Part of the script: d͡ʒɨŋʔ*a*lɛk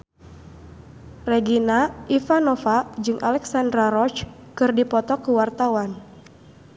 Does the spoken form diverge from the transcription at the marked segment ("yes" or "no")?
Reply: no